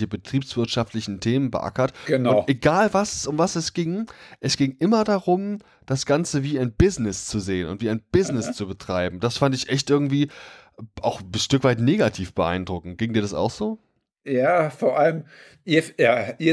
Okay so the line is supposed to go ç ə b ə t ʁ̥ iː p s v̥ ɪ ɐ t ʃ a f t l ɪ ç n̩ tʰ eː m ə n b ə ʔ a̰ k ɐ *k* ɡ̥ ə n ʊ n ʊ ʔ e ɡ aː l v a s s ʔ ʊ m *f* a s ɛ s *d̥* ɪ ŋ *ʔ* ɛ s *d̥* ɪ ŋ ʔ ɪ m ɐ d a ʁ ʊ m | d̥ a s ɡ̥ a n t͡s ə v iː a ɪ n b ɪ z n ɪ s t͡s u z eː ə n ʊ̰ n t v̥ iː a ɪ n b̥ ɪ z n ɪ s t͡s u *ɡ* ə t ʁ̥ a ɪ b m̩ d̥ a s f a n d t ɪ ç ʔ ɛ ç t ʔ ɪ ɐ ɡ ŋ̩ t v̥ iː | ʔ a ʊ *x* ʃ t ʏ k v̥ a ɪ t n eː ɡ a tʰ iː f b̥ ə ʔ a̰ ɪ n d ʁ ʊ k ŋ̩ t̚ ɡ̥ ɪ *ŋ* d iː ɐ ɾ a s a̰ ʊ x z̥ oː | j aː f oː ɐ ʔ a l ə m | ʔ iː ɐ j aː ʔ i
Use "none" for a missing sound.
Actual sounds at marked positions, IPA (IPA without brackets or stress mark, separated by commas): t, v, ɡ̥, ʔ, ɡ̥, b, x, ŋ